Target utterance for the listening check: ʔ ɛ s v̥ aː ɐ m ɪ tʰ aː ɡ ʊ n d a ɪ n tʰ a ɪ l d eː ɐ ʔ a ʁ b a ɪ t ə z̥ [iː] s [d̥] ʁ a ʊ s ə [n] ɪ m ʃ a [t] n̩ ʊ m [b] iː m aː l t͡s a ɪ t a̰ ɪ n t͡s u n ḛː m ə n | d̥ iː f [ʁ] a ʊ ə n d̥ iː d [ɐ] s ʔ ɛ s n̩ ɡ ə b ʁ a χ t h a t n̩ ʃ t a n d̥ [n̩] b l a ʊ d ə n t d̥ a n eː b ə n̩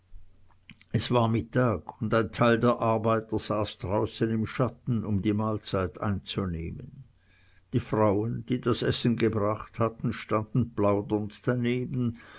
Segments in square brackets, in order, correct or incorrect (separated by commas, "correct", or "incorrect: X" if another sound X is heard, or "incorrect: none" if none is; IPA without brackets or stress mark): incorrect: aː, correct, correct, correct, incorrect: d, correct, incorrect: a, correct